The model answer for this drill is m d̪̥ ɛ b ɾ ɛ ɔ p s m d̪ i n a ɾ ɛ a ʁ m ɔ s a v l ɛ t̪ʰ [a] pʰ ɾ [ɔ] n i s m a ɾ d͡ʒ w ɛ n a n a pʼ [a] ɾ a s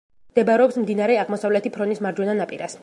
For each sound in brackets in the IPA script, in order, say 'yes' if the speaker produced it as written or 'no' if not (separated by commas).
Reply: no, yes, no